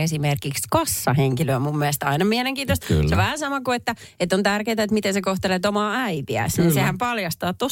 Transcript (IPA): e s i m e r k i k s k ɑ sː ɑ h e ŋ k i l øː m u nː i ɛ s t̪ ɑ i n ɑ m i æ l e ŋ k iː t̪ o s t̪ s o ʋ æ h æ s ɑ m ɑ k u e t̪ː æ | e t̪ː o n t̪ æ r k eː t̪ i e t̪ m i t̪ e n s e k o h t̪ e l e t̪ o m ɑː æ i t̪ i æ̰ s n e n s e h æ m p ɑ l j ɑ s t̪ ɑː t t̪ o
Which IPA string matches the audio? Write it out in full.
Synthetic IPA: e s i m e r k i k s k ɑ sː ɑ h e ŋ k i l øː m u mː i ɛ s t̪ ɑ i n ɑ m i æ l e ŋ k iː t̪ o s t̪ s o ʋ æ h æ s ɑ m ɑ k u e t̪ː æ | e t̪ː o n t̪ æ r k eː t̪ æ e t̪ m i t̪ e n s e k o h t̪ e l e t̪ o m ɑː æ i t̪ i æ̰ s n i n s e h æ m p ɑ l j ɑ s t̪ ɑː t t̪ o